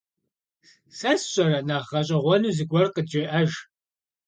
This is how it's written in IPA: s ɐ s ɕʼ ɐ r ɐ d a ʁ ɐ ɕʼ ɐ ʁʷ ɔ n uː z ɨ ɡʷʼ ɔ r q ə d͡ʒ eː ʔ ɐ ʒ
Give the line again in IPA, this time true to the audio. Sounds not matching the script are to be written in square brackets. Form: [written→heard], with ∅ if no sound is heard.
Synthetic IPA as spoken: s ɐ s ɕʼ ɐ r ɐ [d→n] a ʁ ɐ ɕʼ ɐ ʁʷ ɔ n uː z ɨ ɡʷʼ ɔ r q ə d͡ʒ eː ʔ ɐ ʒ